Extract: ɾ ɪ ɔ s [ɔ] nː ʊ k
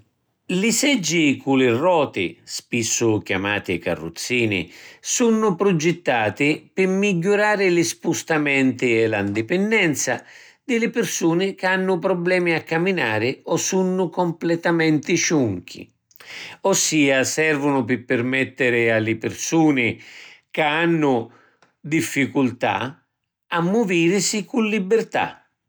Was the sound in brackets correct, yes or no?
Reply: no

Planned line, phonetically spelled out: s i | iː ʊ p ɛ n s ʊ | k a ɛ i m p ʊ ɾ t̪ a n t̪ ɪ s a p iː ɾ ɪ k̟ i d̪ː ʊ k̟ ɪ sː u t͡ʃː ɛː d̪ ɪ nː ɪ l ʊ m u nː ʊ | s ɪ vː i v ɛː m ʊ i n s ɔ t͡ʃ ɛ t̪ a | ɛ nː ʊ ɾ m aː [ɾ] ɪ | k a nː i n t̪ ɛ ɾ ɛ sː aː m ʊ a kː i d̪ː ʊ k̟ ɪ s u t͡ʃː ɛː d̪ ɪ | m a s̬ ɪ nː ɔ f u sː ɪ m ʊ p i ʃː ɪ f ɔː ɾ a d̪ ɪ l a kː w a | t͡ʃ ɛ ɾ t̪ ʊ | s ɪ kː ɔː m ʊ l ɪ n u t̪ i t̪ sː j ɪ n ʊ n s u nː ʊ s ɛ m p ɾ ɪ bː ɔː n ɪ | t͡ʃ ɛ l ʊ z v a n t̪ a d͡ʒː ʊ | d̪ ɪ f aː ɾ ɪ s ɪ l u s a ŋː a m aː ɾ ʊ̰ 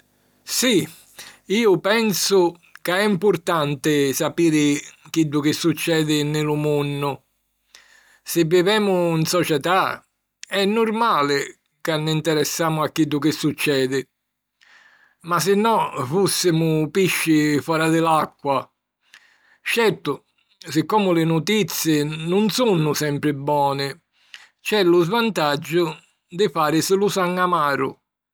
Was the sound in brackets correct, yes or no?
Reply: no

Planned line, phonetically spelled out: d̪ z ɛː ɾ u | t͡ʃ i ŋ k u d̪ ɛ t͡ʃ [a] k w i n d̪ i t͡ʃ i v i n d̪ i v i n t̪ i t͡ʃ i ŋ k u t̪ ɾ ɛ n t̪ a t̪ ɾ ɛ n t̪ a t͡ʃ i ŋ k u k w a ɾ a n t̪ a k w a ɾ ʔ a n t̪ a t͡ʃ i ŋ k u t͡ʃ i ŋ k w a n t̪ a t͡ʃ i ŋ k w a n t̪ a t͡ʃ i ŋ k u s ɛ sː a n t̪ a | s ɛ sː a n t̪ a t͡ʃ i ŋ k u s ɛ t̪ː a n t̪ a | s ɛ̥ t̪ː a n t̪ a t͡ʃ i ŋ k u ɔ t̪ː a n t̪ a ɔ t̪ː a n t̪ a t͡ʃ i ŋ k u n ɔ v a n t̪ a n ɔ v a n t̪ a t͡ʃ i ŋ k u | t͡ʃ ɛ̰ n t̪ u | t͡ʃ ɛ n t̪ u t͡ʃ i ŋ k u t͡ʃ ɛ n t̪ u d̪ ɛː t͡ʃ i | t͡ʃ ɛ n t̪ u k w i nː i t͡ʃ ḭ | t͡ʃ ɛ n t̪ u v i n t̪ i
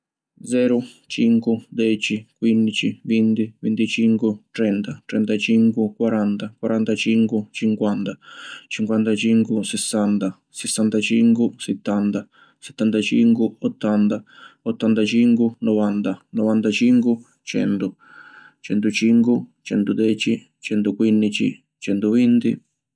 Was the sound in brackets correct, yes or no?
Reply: no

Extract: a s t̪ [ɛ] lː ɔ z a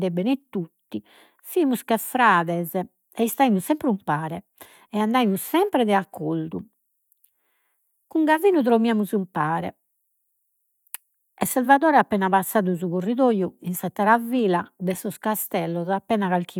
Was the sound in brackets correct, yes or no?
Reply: yes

